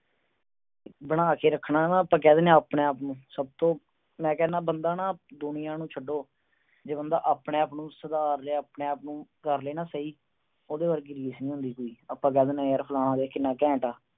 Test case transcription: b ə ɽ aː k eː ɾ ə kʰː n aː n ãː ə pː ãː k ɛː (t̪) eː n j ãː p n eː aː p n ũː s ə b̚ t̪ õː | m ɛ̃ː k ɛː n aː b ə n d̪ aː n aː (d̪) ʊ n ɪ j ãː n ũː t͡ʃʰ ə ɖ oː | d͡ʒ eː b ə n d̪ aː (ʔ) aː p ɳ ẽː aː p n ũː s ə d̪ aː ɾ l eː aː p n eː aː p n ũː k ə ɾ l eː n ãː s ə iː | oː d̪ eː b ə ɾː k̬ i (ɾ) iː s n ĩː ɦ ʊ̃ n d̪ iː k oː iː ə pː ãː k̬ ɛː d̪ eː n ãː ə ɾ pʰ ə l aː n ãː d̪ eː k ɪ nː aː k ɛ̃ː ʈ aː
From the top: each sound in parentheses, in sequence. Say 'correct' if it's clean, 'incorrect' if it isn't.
incorrect, correct, correct, correct

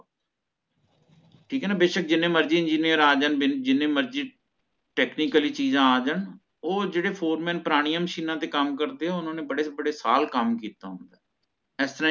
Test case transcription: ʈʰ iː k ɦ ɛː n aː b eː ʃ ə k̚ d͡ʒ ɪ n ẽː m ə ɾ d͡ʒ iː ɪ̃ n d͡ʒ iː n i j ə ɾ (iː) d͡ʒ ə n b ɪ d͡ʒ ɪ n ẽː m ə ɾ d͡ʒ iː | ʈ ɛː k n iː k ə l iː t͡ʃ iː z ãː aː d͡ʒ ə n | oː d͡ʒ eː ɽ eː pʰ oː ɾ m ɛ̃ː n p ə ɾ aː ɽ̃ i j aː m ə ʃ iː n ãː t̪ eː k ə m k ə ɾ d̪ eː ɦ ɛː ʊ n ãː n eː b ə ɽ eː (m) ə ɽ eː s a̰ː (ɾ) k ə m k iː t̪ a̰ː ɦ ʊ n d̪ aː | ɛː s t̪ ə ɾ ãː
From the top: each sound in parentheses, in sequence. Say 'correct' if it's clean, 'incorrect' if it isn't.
incorrect, incorrect, incorrect

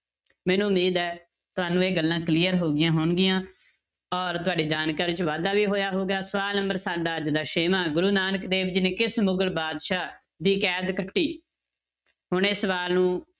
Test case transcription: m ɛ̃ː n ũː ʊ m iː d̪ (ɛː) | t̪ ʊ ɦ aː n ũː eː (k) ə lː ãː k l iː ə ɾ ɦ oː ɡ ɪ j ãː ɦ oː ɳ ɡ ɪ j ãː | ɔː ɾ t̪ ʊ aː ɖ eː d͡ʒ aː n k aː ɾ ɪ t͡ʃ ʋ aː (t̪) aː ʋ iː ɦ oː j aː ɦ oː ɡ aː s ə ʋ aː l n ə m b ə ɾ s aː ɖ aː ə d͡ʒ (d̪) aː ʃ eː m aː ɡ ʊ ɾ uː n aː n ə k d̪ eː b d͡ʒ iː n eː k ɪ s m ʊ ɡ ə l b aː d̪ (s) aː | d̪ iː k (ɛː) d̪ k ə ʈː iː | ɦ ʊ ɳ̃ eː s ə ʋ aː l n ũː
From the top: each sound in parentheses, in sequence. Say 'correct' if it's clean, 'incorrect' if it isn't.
correct, incorrect, incorrect, correct, incorrect, correct

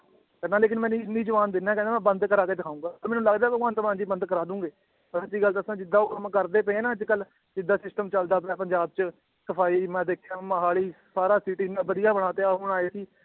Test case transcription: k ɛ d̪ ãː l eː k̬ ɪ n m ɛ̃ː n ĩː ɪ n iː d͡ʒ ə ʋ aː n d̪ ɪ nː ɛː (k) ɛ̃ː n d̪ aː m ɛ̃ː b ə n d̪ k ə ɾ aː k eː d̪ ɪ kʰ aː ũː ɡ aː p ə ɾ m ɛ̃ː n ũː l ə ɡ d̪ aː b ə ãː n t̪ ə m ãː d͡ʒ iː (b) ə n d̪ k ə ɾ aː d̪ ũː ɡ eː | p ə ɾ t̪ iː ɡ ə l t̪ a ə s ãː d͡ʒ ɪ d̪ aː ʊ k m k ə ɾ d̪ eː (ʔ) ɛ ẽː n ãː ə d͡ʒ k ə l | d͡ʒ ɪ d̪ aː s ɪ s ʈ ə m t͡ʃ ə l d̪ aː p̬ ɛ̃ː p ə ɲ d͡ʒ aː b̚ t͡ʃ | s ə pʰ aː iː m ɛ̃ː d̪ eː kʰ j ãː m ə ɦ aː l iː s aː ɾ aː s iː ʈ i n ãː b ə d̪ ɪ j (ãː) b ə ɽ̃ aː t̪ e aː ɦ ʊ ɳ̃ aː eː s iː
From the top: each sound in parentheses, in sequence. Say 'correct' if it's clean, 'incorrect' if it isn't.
correct, correct, incorrect, incorrect

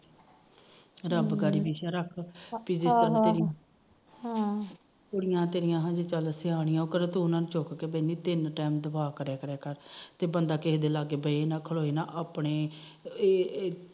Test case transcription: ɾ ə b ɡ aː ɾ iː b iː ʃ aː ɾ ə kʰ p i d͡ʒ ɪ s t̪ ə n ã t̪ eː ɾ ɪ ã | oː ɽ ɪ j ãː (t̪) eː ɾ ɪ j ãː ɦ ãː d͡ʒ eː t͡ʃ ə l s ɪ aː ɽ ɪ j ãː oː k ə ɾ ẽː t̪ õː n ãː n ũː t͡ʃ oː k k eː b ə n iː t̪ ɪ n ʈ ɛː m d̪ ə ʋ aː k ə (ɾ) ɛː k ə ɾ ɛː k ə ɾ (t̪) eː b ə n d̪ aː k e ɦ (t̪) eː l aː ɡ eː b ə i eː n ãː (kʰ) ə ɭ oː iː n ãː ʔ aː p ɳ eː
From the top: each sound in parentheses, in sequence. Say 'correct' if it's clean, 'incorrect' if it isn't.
correct, correct, correct, incorrect, correct

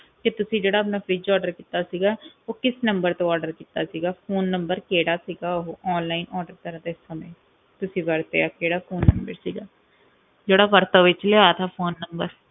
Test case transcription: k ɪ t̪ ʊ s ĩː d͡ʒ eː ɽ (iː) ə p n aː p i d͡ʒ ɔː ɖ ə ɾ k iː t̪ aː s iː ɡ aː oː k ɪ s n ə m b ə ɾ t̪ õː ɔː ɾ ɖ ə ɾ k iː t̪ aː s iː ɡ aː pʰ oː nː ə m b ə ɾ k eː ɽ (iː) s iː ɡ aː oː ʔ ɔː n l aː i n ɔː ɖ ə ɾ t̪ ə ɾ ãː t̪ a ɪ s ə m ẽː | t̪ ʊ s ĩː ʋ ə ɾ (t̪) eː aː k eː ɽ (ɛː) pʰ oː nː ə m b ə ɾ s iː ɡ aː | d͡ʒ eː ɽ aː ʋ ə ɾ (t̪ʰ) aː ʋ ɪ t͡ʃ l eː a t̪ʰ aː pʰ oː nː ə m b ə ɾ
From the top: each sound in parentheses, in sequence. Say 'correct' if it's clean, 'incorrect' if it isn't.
incorrect, incorrect, correct, incorrect, incorrect

